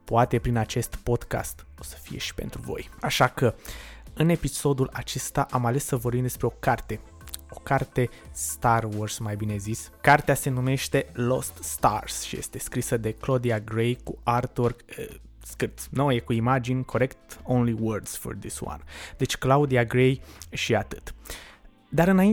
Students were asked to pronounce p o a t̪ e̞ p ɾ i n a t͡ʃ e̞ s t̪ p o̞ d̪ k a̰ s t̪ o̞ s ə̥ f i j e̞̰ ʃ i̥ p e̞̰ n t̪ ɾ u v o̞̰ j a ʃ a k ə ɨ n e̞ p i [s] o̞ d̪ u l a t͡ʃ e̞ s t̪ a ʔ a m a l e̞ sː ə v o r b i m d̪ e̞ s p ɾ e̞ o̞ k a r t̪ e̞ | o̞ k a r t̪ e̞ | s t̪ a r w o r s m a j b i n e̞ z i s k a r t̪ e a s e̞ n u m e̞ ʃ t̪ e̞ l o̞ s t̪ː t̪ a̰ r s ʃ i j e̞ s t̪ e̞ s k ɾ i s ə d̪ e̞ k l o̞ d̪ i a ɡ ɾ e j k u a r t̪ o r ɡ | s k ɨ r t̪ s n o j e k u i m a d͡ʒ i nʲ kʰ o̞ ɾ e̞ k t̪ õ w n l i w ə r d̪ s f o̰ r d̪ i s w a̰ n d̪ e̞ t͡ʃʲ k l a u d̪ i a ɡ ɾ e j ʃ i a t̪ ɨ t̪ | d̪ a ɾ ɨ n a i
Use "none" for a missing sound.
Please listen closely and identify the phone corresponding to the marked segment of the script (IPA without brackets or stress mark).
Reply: s